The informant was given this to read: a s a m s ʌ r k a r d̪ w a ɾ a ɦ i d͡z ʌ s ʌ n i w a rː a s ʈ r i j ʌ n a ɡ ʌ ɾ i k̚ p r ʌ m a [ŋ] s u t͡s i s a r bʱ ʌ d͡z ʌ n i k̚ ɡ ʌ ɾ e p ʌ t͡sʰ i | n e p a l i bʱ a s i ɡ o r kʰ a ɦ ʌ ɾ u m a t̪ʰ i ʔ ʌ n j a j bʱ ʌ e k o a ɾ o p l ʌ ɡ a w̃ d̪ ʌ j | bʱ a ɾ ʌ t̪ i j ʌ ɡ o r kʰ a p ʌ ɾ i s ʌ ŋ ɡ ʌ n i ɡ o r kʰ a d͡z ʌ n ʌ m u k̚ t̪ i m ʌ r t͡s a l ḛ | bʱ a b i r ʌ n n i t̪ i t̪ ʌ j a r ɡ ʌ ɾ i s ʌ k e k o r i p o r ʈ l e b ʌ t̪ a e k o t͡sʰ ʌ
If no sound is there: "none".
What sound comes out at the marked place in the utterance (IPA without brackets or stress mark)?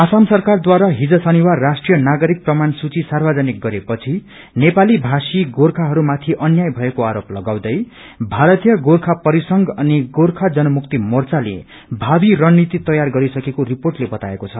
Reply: n